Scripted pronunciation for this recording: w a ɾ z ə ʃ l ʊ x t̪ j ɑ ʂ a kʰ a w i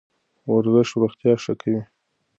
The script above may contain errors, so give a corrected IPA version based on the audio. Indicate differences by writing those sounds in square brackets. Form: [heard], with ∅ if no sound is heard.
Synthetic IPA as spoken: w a ɾ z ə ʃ [ɾ] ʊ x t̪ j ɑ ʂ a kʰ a w i

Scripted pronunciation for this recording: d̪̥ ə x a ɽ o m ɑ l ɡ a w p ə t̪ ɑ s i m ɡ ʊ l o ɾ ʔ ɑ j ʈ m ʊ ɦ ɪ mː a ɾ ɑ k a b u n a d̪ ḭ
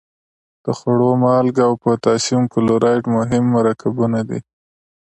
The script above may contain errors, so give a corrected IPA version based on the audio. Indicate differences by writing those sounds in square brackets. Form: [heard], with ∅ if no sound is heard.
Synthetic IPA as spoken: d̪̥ ə x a ɽ o m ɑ l ɡ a w p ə t̪ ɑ s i m [k] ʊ l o ɾ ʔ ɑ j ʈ m ʊ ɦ ɪ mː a ɾ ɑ k a b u n a d̪ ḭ

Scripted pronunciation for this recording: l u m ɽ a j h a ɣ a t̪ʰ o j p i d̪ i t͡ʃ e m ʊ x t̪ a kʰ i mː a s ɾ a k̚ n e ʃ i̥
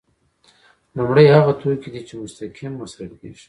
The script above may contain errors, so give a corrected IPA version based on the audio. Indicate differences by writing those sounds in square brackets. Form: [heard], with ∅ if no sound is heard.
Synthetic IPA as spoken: l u m ɽ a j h a ɣ a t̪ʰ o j [k] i d̪ i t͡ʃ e m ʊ [s] t̪ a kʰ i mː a s ɾ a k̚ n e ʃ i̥

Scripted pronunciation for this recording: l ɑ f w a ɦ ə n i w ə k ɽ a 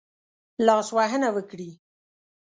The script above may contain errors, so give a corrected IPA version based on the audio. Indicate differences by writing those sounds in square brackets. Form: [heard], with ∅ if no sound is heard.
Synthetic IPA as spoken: l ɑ [s] w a ɦ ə n [a] w ə k ɽ [i]

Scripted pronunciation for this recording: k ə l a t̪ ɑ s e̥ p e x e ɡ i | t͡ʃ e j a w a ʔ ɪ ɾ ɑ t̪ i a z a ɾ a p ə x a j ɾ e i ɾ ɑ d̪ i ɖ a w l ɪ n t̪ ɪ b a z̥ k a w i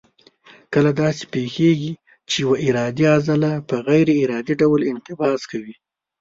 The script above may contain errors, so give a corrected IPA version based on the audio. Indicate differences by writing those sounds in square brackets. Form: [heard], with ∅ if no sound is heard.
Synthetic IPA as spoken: k ə l a [d̪] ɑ s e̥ p e x e ɡ i | t͡ʃ e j a w a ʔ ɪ ɾ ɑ [d̪] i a z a [l] a p ə [ɣ] a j ɾ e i ɾ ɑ d̪ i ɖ a w l ɪ n t̪ ɪ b [ɑ] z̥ k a w i

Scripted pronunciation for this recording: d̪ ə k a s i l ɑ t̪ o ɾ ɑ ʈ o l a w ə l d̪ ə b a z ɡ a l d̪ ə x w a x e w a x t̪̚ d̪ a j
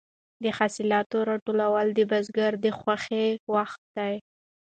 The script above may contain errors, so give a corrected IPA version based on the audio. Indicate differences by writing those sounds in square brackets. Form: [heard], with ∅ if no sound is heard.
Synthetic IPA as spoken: d̪ ə [x] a s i l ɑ t̪ o ɾ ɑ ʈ o l a w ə l d̪ ə b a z ɡ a [ɾ] d̪ ə x w a x e w a x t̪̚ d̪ a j

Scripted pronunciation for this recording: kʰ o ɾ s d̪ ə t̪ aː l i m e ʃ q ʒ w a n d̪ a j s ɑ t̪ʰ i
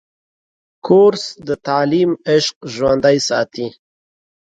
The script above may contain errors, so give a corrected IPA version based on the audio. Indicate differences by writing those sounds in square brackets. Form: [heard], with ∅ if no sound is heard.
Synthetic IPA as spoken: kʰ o ɾ s d̪ ə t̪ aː l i m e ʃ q ʒ w a n d̪ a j s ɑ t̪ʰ i

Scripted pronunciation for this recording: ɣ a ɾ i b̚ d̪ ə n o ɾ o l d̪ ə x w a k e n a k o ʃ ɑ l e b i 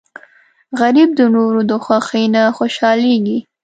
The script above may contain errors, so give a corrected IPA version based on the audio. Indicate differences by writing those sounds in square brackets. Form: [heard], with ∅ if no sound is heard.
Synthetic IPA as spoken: ɣ a ɾ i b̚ d̪ ə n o ɾ o [∅] d̪ ə x w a [x] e n a [x] o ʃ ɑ l e [ɡ] i

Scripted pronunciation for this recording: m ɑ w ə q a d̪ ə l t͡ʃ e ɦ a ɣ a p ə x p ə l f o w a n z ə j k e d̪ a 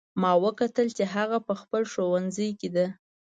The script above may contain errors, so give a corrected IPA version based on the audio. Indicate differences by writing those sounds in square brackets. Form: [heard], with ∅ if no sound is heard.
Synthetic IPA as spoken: m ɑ w ə [k] a [t̪] ə l t͡ʃ e ɦ a ɣ a p ə x p ə l [ʃ] o w a n z ə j k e d̪ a

